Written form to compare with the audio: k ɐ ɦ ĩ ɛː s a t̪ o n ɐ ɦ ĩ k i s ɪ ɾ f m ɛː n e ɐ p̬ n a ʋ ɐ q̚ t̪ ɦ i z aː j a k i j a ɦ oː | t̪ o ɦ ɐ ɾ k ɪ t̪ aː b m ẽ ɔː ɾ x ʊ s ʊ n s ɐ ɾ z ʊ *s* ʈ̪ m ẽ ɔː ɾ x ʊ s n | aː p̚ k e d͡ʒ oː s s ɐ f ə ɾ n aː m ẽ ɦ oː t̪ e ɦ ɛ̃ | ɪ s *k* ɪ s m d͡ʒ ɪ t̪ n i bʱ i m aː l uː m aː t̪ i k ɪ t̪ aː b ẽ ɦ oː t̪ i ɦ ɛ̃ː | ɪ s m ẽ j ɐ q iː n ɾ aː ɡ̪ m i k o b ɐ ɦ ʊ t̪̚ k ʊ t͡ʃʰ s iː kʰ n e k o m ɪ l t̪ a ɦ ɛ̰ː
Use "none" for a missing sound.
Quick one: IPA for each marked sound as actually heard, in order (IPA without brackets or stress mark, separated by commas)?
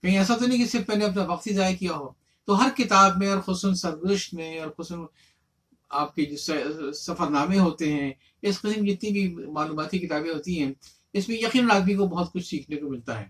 ʃ, q